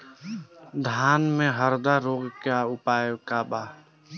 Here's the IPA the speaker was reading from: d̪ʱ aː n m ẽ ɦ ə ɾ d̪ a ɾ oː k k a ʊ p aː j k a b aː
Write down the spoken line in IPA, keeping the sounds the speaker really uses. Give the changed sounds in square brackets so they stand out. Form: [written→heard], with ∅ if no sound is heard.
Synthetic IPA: d̪ʱ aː n m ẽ ɦ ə ɾ d̪ a ɾ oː [k→ɡ] k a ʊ p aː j k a b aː